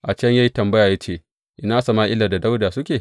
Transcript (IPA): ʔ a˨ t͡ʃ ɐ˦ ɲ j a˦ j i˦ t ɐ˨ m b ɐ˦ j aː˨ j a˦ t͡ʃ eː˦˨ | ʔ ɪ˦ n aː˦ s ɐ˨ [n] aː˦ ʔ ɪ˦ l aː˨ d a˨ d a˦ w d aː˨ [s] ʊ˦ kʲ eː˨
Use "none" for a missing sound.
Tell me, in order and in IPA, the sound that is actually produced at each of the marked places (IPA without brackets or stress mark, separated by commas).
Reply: m, s